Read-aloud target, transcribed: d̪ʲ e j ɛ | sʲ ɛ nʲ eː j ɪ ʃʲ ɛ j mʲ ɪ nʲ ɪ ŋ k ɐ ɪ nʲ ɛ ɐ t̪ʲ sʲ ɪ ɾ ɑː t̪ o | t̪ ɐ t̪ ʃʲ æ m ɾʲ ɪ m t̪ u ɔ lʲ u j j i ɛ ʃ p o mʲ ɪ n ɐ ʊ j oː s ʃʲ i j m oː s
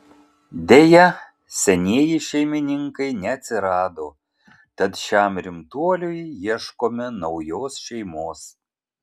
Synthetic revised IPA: d̪ʲ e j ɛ | sʲ ɛ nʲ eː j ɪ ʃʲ ɛ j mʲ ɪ nʲ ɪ ŋ k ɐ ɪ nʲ ɛ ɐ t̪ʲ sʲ ɪ ɾ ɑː d̪ o | t̪ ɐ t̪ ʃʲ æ m ɾʲ ɪ m t̪ u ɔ lʲ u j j i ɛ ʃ k o mʲ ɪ n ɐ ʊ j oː s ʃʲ ɛ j m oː s